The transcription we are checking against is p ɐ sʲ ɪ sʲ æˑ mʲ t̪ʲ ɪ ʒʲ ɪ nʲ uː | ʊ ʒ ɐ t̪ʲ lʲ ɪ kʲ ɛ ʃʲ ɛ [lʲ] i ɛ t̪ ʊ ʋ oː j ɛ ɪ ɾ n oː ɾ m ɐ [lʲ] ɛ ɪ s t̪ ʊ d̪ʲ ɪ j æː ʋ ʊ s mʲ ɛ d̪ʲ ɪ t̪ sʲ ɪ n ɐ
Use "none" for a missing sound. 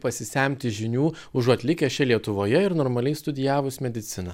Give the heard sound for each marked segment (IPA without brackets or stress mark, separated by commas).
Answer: lʲ, lʲ